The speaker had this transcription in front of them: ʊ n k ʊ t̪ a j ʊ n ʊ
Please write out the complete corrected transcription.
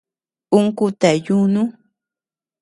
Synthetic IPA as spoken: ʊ ŋ k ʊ t̪ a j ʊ n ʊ